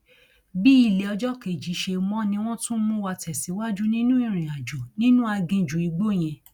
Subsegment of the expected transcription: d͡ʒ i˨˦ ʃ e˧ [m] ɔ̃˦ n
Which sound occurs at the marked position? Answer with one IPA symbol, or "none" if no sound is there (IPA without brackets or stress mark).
m